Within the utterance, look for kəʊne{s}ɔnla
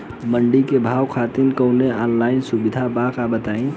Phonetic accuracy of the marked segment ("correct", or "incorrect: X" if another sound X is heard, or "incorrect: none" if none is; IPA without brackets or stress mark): incorrect: none